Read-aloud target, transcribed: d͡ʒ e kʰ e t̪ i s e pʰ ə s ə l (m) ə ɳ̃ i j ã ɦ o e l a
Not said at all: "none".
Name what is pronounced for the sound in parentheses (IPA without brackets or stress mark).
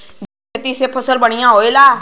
b